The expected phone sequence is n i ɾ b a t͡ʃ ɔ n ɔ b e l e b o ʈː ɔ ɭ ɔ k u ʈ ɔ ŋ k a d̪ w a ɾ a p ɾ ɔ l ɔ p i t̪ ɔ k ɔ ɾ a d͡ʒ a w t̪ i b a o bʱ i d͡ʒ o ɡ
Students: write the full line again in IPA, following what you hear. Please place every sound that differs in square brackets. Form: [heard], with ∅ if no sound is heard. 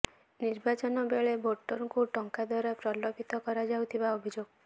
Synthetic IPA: n i ɾ b a t͡ʃ ɔ n ɔ b e [ɭ] e b o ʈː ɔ [ɾ] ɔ k u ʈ ɔ ŋ k a d̪ w a ɾ a p ɾ ɔ l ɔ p i t̪ ɔ k ɔ ɾ a d͡ʒ a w [t̪ʰ] i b a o bʱ i d͡ʒ o ɡ